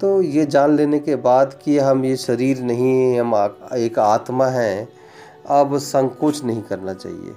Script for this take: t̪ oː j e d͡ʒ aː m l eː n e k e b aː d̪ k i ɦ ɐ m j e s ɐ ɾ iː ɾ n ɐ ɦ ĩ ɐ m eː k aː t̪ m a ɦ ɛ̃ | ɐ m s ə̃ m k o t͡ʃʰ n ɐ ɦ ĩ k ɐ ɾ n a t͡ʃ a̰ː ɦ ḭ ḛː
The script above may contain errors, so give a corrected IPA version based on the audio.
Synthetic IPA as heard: t̪ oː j e d͡ʒ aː n l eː n e k e b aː d̪ k i ɦ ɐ m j e ʃ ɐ ɾ iː ɾ n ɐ ɦ ĩ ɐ m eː k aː t̪ m a ɦ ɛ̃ | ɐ b s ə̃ ŋ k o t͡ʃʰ n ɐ ɦ ĩ k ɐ ɾ n a t͡ʃ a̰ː ɦ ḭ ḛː